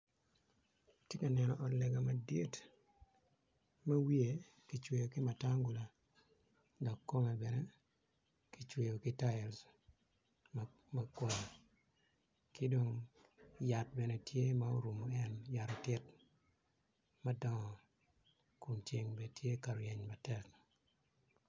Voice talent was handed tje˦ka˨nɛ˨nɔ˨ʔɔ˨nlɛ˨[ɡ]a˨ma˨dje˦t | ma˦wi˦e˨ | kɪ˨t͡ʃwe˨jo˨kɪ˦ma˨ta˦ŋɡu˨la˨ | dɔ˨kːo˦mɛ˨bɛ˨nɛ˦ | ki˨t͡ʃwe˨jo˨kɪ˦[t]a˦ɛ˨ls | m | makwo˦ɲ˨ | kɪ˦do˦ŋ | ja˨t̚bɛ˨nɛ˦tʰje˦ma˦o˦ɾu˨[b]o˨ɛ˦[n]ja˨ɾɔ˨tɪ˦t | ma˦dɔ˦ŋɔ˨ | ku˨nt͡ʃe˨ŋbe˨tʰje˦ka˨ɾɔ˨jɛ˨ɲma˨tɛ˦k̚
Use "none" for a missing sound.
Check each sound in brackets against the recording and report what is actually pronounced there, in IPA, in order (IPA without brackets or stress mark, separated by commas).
ɡ, t, m, n